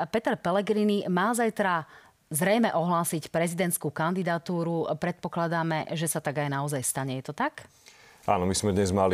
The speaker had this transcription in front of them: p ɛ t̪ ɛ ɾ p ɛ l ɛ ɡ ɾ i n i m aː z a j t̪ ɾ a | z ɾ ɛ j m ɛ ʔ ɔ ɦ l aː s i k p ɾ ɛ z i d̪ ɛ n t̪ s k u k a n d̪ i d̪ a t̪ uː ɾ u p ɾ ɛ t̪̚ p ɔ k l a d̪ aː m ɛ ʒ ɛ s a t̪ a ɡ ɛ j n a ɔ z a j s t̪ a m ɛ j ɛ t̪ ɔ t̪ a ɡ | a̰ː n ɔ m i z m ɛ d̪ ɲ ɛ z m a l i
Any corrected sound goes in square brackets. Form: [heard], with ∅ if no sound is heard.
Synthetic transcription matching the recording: p ɛ t̪ ɛ ɾ p ɛ l ɛ ɡ ɾ i n i m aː z a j t̪ ɾ a | z ɾ ɛ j m ɛ ʔ ɔ ɦ l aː s i [c] p ɾ ɛ z i d̪ ɛ n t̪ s k u k a n d̪ i d̪ a t̪ uː ɾ u p ɾ ɛ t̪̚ p ɔ k l a d̪ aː m ɛ ʒ ɛ s a t̪ a ɡ [a] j n a ɔ z a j s t̪ a [ɲ] ɛ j ɛ t̪ ɔ t̪ a [k] | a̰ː n ɔ m i z m ɛ d̪ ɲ ɛ z m a l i